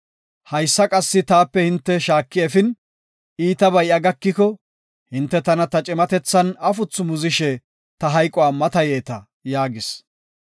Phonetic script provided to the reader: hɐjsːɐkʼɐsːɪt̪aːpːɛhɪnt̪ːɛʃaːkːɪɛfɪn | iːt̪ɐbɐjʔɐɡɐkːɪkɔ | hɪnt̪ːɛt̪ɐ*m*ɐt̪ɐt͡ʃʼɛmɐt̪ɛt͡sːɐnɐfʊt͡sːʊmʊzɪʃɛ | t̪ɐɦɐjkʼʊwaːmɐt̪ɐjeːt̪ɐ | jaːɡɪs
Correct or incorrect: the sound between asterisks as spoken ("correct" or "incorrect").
incorrect